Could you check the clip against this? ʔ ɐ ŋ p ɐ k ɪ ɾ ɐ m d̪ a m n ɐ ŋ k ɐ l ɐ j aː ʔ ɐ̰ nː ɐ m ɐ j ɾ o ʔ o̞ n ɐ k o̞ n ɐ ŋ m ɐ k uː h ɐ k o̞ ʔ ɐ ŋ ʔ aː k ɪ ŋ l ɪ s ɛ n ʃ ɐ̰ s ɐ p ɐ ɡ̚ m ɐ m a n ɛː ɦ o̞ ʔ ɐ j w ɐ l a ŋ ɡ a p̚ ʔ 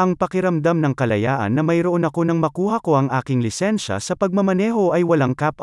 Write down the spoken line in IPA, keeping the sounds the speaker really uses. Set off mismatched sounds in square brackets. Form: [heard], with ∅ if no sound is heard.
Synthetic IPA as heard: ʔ ɐ ŋ p ɐ k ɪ ɾ ɐ m d̪ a m n ɐ ŋ k ɐ l ɐ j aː ʔ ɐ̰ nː ɐ m ɐ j ɾ o ʔ o̞ n ɐ k o̞ n ɐ ŋ m ɐ k uː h ɐ k o̞ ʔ ɐ ŋ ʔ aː k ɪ ŋ l ɪ s ɛ n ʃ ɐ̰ s ɐ p ɐ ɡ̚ m ɐ m [ɐ] n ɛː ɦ o̞ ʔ ɐ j w ɐ l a ŋ [k] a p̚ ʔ